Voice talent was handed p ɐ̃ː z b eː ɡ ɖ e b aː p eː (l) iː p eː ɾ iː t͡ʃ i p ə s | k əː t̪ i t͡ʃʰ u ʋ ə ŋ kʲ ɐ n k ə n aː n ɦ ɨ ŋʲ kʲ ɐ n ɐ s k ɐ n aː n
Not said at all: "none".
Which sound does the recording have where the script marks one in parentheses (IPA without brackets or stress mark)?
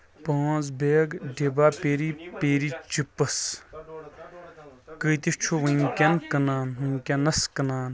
ɾ